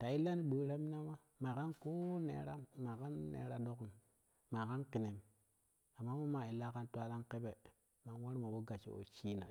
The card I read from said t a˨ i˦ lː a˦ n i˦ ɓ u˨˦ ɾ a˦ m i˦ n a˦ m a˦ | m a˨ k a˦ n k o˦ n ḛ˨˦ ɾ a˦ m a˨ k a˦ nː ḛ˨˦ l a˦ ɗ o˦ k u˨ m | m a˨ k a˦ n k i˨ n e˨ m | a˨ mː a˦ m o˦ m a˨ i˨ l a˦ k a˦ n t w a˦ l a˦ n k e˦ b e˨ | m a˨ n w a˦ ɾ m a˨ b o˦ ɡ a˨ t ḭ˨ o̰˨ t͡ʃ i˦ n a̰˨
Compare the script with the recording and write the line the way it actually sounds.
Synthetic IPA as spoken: t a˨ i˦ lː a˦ n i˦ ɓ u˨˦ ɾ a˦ m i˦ n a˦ m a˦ | m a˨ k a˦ n k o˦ n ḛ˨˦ ɾ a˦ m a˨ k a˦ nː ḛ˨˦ ɾ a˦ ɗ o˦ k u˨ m | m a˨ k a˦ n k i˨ n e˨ m | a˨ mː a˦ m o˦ m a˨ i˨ l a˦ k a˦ n t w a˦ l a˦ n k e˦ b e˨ | m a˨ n w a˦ ɾ m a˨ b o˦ ɡ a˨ t͡ʃ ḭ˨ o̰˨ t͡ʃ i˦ n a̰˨